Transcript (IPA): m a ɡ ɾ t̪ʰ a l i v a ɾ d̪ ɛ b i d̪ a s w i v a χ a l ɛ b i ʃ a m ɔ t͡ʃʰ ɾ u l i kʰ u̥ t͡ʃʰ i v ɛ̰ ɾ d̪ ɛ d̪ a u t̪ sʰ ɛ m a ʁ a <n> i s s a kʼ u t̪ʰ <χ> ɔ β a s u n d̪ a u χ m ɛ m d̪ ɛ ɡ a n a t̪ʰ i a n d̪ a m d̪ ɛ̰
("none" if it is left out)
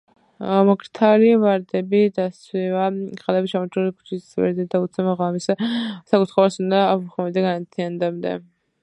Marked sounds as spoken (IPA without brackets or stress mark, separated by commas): m, χ